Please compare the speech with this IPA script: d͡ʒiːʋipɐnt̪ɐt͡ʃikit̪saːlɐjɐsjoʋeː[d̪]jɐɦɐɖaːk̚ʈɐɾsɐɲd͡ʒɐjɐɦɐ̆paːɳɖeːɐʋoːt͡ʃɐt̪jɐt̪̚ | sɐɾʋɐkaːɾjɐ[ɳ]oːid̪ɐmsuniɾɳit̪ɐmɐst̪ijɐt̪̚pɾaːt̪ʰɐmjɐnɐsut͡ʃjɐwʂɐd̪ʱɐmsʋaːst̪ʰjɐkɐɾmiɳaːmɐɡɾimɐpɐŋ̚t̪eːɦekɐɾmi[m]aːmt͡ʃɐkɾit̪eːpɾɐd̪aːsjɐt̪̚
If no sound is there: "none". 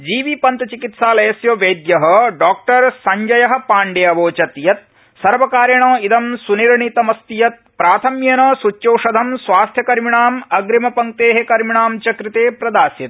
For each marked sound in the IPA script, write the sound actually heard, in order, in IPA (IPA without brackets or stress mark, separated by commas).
d̪, ɳ, ɳ